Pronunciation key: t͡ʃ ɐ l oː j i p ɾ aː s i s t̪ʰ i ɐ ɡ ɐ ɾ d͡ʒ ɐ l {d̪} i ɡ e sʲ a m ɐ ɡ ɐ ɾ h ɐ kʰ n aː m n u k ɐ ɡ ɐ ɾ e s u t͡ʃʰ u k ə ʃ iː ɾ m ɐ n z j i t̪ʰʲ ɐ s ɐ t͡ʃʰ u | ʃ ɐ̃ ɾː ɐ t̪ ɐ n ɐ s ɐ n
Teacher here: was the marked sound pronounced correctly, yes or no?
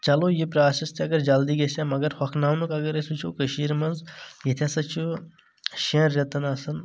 yes